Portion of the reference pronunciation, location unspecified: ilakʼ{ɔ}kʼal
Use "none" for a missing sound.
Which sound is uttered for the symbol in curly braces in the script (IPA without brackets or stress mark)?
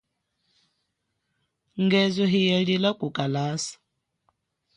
u